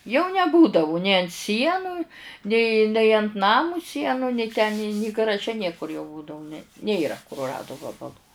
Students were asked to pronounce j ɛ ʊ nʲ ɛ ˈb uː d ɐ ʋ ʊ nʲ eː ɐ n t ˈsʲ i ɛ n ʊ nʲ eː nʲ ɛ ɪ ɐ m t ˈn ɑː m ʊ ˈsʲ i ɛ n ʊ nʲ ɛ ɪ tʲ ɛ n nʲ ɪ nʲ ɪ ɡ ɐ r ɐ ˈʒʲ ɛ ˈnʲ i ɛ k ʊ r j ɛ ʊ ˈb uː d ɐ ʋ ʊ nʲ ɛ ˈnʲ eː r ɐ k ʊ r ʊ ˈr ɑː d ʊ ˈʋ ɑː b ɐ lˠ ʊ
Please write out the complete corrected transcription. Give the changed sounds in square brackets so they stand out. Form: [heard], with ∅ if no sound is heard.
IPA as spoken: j ɛ ʊ nʲ ɛ ˈb uː d ɐ ʋ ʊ nʲ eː ɐ n t ˈsʲ i ɛ n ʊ nʲ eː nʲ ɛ ɪ ɐ [n] t ˈn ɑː m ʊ ˈsʲ i ɛ n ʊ nʲ ɛ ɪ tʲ ɛ n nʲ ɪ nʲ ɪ ɡ ɐ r ɐ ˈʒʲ ɛ ˈnʲ i ɛ k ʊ r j ɛ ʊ ˈb uː d ɐ ʋ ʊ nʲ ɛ ˈnʲ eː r ɐ k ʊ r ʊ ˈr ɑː d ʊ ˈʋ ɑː b ɐ lˠ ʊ